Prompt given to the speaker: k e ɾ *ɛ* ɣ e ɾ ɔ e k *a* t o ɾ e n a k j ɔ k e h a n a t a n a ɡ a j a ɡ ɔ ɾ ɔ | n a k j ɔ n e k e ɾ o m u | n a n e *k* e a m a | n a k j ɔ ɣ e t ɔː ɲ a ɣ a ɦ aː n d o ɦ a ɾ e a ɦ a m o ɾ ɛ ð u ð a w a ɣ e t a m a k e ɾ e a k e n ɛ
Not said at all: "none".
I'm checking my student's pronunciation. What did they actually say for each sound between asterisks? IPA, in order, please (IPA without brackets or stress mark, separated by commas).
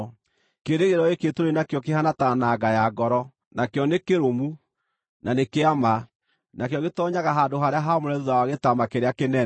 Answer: e, e, k